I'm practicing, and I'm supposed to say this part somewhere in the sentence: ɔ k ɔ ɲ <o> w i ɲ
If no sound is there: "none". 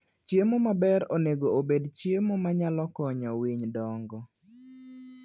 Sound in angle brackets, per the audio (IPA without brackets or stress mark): ɔ